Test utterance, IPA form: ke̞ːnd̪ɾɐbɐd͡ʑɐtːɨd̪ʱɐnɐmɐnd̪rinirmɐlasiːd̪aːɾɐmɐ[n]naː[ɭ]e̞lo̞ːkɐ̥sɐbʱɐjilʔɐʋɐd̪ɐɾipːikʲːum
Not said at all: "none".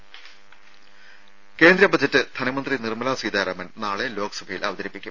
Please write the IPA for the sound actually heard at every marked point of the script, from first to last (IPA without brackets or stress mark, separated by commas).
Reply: n, ɭ